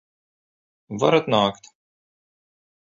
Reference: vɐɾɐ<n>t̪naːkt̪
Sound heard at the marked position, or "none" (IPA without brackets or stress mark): none